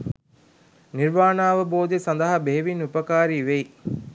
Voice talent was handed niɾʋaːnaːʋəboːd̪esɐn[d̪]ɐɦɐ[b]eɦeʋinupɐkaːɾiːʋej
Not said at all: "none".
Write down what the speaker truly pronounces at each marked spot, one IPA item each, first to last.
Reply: d̪, b

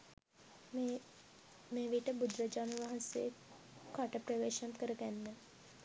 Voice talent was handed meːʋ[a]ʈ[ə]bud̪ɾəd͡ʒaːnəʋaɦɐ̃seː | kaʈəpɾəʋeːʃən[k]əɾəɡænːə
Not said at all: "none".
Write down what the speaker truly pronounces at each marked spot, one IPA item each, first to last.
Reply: i, ə, k

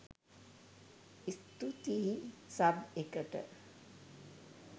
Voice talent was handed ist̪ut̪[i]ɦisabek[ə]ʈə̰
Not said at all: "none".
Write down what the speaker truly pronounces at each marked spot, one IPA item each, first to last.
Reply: i, ə

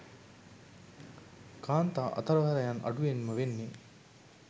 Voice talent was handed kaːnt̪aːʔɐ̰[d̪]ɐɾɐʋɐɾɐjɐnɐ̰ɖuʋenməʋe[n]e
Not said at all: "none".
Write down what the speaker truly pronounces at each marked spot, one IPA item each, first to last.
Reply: t̪, nː

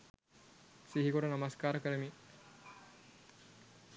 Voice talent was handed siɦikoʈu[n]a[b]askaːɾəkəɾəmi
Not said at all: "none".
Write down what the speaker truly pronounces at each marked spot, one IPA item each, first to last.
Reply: n, m

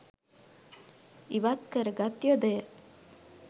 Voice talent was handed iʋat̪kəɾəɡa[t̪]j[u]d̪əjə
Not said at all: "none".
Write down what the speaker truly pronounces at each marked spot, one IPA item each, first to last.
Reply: t̪, o

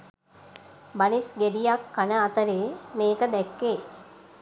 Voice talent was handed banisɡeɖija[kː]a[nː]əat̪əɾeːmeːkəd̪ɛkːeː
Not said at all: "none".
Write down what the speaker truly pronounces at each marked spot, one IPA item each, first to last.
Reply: kː, n

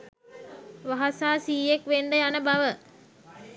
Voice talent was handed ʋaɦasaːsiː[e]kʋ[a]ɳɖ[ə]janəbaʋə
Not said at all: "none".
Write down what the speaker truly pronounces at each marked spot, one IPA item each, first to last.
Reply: e, e, ə

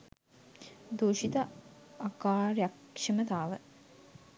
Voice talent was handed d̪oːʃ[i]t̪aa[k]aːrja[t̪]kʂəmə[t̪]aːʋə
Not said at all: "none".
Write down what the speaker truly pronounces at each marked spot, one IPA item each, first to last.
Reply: i, k, none, t̪

